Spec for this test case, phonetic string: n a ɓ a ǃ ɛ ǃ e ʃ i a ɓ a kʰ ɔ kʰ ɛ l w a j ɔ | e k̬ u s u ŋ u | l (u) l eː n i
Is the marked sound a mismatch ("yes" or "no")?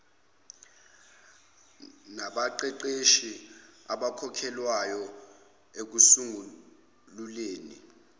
no